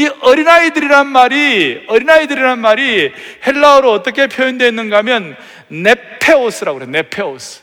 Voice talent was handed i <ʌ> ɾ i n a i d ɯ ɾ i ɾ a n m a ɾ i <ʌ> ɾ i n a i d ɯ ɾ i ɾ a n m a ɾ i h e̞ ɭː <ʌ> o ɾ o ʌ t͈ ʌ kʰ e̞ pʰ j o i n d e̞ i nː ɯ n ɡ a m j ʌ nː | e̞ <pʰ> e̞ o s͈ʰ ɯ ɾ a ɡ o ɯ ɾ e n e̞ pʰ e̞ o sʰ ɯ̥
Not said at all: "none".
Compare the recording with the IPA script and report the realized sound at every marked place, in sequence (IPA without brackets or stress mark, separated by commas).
ʌ, ʌ, a, pʰ